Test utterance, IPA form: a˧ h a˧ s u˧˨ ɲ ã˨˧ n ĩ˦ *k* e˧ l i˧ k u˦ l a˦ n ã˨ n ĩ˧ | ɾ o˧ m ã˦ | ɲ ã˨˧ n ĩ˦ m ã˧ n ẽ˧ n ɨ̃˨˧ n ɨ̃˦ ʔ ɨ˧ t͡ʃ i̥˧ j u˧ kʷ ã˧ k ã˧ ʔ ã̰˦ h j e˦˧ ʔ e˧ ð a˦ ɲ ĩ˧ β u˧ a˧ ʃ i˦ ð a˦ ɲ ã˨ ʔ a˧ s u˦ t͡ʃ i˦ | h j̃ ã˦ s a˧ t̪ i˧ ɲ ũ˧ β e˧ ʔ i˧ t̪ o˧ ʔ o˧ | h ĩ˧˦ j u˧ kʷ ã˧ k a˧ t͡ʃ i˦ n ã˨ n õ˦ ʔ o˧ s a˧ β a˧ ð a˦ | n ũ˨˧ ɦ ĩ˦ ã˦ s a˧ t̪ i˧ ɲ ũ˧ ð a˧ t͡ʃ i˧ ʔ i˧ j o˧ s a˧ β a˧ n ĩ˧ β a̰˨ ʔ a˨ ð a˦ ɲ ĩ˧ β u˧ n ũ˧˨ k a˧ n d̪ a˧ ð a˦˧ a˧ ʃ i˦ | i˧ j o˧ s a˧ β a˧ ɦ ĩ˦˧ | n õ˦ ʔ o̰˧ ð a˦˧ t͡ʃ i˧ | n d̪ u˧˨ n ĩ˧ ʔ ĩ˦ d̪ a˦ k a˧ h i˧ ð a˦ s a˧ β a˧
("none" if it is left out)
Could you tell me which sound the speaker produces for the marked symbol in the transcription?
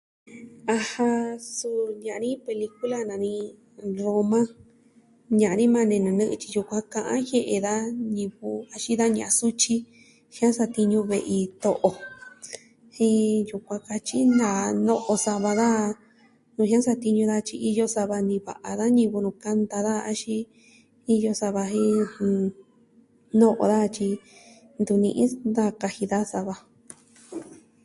p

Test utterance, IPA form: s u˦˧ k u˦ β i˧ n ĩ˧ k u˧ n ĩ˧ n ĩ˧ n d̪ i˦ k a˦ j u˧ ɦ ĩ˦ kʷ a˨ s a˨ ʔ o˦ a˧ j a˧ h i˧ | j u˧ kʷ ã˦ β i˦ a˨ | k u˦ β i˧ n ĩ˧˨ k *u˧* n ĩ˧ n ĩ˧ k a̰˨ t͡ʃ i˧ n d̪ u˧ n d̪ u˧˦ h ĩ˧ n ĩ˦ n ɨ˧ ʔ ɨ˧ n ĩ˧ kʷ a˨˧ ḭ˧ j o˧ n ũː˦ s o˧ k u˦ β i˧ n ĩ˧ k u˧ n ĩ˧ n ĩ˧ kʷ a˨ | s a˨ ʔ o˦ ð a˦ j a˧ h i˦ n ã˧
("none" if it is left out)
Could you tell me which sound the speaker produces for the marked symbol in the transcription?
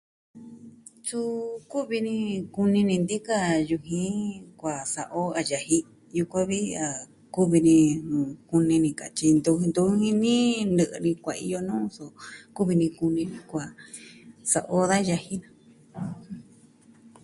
u˧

